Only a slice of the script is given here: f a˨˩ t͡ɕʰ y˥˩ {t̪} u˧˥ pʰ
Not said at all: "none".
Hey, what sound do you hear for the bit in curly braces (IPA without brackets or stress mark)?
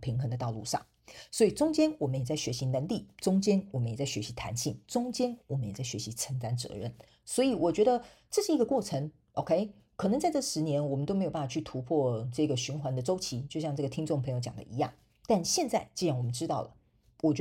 t̪ʰ